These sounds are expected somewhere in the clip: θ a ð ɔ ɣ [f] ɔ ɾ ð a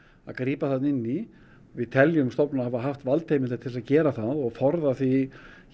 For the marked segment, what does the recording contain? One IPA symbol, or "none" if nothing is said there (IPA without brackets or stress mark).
f